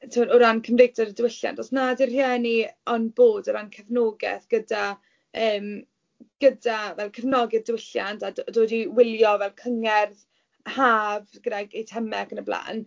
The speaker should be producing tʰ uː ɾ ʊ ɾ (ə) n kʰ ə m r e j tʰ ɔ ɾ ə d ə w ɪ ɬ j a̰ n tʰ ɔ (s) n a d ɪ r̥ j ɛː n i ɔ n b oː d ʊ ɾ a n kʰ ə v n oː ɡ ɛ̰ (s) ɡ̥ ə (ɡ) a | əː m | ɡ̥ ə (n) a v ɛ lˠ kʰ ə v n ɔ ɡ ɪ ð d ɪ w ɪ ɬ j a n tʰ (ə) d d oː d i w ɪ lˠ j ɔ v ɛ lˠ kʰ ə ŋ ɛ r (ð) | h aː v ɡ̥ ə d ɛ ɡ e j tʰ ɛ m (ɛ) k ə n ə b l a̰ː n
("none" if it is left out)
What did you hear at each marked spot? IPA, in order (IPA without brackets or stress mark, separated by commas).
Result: a, s, θ, d, d, a, ð, ɛ